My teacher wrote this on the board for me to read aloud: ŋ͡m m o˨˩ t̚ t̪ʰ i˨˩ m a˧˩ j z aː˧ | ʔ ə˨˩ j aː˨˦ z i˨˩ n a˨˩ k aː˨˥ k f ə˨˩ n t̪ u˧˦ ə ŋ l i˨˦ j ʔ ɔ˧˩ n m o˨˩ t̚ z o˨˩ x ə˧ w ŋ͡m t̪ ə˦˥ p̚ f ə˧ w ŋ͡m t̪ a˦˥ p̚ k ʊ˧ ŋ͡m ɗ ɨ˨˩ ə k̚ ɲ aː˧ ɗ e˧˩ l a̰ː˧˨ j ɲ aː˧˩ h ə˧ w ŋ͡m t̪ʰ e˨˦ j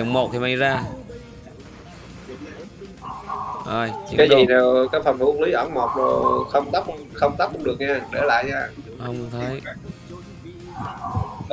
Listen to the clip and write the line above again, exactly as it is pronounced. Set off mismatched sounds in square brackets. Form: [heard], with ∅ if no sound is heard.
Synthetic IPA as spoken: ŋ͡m m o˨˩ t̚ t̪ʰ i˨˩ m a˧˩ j z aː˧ | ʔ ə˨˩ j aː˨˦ z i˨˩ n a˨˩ k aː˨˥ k f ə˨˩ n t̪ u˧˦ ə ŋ l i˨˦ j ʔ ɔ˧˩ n m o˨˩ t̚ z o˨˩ x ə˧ w ŋ͡m t̪ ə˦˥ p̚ [x] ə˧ w ŋ͡m t̪ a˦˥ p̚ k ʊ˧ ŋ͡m ɗ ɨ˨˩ ə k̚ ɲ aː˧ ɗ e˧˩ l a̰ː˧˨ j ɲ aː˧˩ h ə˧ w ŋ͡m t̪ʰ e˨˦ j

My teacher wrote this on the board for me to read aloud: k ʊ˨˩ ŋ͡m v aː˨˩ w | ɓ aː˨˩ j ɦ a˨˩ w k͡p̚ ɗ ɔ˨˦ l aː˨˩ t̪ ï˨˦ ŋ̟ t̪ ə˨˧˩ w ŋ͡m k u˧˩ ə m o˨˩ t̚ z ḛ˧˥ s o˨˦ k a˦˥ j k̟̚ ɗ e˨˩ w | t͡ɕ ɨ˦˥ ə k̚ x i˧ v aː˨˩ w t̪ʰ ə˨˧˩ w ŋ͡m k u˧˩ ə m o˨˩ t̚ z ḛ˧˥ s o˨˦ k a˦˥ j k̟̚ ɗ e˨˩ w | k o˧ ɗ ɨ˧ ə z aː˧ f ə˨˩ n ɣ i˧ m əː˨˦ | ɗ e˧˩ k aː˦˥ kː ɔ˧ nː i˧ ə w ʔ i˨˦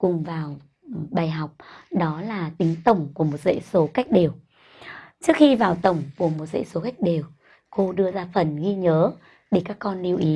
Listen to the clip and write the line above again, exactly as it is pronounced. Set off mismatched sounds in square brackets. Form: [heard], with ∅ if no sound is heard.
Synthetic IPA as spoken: k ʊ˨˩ ŋ͡m v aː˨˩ w | ɓ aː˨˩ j ɦ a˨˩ w k͡p̚ ɗ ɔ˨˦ l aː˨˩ t̪ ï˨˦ ŋ̟ t̪ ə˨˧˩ w ŋ͡m k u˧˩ ə m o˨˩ t̚ z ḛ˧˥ s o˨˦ k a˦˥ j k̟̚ ɗ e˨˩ w | t͡ɕ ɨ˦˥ ə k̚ x i˧ v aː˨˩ w [t̪] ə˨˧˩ w ŋ͡m k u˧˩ ə m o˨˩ t̚ z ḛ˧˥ s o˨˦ k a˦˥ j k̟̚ ɗ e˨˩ w | k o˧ ɗ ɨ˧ ə z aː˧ f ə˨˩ n ɣ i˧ [ɲ] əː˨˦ | ɗ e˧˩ k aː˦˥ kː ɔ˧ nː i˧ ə w ʔ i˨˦

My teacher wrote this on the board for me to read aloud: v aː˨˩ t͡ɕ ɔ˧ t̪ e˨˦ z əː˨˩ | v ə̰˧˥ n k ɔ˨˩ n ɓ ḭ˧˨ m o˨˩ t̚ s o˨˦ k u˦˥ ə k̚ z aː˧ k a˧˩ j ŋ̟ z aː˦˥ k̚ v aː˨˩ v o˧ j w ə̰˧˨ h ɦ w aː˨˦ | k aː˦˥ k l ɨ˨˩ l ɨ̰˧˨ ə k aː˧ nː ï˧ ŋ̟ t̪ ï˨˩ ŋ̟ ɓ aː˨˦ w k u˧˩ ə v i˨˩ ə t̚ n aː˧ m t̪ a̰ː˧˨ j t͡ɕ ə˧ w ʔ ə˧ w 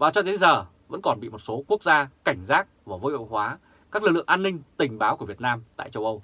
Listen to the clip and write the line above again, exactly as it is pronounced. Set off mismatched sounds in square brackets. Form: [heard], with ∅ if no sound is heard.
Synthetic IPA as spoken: v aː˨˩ t͡ɕ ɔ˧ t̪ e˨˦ z əː˨˩ | v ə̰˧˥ n k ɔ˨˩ n ɓ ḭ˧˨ m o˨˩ t̚ s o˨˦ k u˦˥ ə k̚ z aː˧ k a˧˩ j ŋ̟ z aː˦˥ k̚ v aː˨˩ v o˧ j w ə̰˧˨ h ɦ w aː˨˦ | k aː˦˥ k l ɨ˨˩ l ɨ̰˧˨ ə [ʔ] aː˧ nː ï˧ ŋ̟ t̪ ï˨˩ ŋ̟ ɓ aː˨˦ w k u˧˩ ə v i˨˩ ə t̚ n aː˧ m t̪ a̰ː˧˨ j t͡ɕ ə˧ w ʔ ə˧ w

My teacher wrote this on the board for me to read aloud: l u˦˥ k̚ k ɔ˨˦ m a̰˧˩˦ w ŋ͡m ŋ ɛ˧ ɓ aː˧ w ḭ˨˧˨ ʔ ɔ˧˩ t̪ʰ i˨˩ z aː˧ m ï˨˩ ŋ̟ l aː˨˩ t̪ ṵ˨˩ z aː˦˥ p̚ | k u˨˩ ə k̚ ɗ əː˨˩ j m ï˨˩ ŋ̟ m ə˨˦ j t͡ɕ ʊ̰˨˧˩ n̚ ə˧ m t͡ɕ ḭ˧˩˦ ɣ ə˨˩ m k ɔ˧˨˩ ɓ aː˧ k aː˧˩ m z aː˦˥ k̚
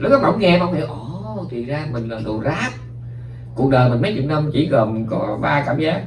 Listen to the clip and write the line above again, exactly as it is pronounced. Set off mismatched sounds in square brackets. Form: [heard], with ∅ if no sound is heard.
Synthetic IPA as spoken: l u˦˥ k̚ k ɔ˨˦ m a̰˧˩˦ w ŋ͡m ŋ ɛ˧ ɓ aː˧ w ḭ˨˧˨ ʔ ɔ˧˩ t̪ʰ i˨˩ z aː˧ m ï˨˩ ŋ̟ l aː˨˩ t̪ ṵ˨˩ z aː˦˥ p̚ | k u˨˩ ə k̚ ɗ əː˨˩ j m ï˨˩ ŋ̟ m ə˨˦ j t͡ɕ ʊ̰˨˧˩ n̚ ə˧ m t͡ɕ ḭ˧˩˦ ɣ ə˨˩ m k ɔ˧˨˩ ɓ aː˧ k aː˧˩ m z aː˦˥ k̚

